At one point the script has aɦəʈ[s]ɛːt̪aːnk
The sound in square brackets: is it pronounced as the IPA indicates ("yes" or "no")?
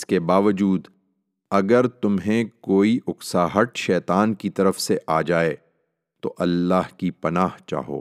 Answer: no